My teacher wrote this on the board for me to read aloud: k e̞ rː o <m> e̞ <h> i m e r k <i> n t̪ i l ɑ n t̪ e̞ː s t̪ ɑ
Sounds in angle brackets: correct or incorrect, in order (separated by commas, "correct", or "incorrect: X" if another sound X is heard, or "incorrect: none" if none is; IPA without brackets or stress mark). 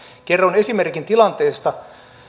incorrect: n, incorrect: s, correct